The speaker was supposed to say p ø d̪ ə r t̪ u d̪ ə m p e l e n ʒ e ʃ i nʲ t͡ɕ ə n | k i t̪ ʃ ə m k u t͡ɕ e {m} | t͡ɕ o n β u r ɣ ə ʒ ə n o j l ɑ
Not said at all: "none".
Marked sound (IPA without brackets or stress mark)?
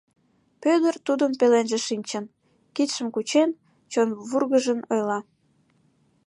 n